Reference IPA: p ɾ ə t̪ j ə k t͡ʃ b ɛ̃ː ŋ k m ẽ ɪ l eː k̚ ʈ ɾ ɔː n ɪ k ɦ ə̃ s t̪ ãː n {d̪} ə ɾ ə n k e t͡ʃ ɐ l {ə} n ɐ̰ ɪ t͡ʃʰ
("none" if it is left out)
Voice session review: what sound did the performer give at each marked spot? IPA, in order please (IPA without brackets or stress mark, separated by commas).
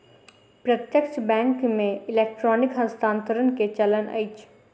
t̪, ə